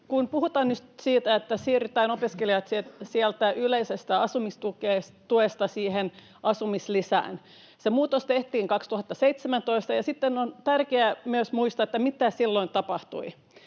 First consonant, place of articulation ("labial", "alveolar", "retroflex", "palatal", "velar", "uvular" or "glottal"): velar